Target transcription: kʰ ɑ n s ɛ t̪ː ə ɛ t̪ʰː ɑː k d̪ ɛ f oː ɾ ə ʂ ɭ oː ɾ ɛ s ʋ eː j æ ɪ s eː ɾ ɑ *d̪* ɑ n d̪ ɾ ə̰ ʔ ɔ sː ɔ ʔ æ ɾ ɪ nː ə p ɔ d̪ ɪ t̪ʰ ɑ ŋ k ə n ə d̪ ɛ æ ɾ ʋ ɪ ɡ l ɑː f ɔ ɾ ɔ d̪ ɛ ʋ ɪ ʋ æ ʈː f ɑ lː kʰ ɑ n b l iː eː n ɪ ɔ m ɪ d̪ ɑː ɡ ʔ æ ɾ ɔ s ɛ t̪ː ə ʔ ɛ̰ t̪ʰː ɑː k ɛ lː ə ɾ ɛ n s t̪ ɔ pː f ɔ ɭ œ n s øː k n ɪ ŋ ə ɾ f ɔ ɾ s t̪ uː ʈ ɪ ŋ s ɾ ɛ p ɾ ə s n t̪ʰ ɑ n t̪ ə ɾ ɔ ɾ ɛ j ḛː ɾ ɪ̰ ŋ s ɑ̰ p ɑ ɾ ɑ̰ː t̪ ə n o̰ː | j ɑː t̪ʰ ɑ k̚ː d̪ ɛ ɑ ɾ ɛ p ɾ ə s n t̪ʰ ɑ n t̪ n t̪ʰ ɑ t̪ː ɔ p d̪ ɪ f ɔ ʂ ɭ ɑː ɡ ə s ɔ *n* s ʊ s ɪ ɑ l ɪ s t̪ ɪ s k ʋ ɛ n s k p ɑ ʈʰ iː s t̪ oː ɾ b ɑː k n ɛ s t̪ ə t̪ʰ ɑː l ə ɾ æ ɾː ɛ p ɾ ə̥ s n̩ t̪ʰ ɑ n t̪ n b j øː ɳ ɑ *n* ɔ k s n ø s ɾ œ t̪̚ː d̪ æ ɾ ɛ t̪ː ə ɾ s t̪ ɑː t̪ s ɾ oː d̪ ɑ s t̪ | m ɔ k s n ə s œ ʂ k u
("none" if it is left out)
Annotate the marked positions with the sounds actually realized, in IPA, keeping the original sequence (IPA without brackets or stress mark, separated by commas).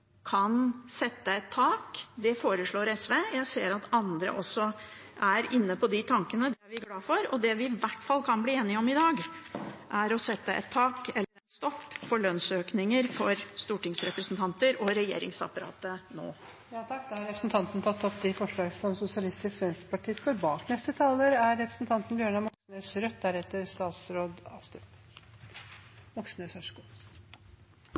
t̪, m, m